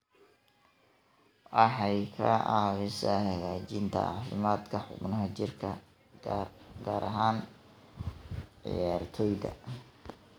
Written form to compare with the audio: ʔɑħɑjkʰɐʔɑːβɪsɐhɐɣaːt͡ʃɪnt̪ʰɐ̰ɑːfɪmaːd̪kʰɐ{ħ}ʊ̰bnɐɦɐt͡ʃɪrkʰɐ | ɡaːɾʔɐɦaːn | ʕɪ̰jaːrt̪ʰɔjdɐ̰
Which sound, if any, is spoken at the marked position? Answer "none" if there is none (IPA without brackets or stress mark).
ħ